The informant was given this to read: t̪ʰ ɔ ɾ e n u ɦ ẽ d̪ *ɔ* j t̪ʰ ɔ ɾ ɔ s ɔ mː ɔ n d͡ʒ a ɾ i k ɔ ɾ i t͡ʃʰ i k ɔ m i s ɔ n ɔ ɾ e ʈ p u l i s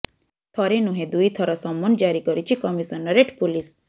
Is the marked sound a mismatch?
yes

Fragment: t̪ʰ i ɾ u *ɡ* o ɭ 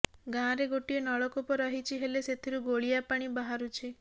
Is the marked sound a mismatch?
no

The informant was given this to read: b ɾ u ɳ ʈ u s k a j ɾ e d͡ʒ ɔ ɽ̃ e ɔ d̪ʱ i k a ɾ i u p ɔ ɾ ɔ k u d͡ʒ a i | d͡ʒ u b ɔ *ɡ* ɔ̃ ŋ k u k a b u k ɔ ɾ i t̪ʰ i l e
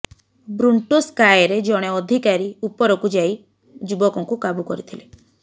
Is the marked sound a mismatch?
yes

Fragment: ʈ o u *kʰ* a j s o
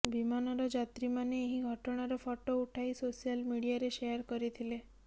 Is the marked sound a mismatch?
yes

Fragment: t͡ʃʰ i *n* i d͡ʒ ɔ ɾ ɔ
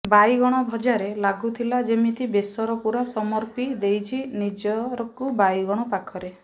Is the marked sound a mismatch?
no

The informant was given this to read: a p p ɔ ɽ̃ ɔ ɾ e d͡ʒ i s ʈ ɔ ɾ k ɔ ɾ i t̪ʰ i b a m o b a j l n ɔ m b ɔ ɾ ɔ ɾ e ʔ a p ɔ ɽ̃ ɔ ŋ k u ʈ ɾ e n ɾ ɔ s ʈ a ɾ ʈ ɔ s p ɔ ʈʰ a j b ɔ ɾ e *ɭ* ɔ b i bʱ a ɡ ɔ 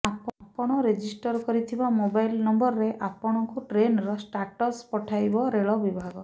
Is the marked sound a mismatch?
no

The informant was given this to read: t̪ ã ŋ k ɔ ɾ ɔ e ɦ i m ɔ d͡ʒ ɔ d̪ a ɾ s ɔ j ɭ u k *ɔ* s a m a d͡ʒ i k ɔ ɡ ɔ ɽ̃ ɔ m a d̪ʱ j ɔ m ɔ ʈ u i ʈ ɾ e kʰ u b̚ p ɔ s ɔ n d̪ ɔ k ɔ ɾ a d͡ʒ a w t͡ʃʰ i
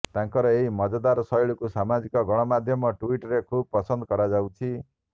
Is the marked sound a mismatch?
yes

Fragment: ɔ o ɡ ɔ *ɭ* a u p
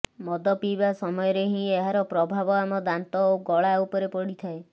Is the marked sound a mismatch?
no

